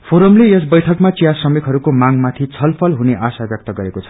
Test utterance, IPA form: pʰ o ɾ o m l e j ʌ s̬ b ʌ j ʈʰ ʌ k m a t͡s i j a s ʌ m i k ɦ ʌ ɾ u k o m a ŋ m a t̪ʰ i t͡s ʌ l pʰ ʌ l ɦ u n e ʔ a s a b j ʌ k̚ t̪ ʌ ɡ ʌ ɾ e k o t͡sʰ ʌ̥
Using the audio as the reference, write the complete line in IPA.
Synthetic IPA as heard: pʰ o ɾ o m l e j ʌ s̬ b ʌ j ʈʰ ʌ k m a t͡s i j a s ʌ m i k ɦ ʌ ɾ u k o m a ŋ m a t̪ʰ i t͡sʰ ʌ l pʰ ʌ l ɦ u n e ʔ a s a b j ʌ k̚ t̪ ʌ ɡ ʌ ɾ e k o t͡sʰ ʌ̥